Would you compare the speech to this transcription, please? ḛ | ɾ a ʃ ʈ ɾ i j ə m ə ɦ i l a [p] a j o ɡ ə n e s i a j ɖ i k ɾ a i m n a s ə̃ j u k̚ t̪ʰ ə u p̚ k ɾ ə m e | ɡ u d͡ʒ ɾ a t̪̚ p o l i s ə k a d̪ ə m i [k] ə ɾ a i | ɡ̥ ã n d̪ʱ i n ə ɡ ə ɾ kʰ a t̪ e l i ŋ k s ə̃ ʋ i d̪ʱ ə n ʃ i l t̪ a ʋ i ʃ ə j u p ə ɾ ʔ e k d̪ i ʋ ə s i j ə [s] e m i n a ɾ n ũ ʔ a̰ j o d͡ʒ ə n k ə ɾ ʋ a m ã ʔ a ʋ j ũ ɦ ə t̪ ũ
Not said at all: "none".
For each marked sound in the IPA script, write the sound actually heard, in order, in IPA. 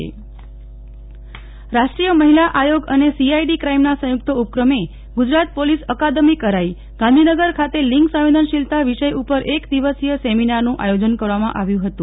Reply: ʔ, k, s

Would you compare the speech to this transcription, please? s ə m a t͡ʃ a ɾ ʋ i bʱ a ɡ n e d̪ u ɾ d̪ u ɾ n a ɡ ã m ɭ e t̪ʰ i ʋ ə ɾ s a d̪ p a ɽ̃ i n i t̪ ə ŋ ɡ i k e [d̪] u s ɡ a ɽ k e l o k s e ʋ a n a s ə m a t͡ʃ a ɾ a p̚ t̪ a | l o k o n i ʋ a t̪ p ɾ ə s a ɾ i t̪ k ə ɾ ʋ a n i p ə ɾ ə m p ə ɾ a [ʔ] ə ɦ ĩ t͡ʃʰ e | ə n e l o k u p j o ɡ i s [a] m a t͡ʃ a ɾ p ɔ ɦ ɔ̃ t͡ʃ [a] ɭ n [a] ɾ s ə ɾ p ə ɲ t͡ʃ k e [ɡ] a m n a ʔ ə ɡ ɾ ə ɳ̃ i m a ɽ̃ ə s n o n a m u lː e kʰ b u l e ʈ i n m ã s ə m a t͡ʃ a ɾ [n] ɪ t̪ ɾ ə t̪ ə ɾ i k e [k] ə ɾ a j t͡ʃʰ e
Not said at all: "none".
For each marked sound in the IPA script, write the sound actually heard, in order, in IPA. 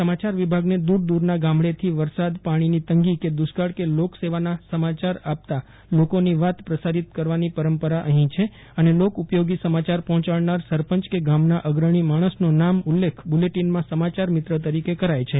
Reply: d̪, ʔ, ə, a, a, ɡ, m, k

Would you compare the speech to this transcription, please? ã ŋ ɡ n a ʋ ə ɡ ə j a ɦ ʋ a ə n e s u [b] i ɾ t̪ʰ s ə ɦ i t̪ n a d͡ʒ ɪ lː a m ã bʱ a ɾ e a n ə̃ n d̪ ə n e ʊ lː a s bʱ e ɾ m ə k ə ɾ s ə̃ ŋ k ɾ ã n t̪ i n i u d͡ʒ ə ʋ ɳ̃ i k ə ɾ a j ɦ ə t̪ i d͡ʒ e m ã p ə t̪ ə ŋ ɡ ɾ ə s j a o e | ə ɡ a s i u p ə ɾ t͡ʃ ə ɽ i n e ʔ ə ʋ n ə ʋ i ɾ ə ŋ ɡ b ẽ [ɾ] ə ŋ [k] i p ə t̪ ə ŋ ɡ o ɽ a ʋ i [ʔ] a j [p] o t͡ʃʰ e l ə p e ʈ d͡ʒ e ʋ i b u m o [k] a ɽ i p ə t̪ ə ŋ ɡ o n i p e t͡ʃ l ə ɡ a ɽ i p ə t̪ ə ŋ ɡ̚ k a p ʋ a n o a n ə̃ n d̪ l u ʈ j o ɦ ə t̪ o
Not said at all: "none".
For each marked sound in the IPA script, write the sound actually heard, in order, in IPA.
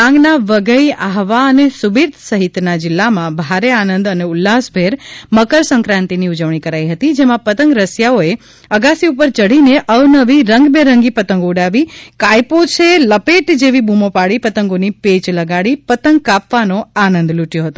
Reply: b, ɾ, ɡ, k, p, p

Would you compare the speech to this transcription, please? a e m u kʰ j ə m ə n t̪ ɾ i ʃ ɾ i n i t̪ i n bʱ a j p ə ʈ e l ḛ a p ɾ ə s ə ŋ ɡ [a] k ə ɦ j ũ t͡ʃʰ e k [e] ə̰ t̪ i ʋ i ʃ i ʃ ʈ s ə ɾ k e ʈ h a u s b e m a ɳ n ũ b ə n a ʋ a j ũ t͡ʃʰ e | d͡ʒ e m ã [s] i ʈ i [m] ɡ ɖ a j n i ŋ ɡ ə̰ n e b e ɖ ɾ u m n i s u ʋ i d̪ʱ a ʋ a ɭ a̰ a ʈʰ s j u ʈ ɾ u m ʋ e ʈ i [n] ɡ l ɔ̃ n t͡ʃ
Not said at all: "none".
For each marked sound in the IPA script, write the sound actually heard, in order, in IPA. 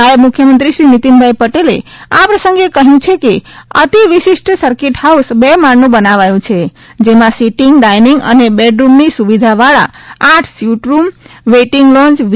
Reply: e, e, s, ŋ, ŋ

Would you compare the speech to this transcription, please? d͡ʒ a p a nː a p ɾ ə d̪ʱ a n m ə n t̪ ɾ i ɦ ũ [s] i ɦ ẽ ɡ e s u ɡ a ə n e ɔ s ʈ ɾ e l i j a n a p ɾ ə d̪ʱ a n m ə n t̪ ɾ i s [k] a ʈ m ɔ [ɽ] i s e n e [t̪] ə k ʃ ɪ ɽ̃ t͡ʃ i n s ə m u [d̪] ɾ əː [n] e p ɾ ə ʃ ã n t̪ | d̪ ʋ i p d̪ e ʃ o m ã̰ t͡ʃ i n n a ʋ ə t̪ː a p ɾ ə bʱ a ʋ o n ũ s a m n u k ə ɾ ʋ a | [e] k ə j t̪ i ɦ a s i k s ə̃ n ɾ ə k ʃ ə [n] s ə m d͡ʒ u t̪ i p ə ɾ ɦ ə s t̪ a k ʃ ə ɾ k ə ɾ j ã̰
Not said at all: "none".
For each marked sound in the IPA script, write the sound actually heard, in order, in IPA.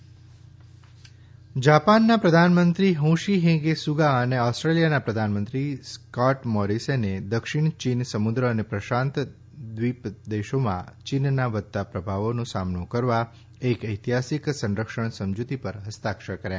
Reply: ʃ, k, ɾ, d̪, d̪, n, e, ɳ

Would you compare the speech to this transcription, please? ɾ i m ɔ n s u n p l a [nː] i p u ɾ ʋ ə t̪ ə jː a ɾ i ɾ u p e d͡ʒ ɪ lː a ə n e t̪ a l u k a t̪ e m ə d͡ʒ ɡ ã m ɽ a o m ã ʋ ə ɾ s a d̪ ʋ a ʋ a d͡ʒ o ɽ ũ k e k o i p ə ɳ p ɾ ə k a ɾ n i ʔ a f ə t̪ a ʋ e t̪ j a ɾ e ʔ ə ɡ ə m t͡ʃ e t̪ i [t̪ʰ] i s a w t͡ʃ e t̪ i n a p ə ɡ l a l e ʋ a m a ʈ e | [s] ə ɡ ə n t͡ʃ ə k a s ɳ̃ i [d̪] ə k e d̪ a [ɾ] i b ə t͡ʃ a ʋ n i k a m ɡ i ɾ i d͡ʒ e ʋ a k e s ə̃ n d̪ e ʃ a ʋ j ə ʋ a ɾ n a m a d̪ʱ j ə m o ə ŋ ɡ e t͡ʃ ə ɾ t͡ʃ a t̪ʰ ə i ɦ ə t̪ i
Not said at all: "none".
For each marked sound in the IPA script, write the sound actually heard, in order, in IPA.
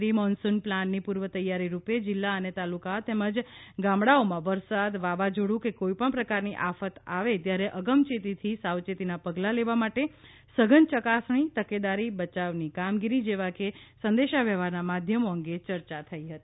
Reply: nː, t̪ʰ, s, t̪, ɾ

